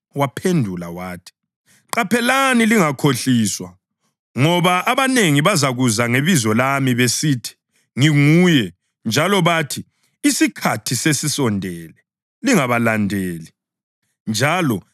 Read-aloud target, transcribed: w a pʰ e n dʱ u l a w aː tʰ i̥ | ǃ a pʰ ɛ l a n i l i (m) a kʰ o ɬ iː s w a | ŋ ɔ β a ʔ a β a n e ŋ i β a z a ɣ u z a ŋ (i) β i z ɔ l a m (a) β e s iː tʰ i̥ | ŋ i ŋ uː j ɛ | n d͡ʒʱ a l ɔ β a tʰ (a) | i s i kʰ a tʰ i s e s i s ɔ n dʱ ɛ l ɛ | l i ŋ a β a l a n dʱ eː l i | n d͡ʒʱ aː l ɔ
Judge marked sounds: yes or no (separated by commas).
no, no, no, no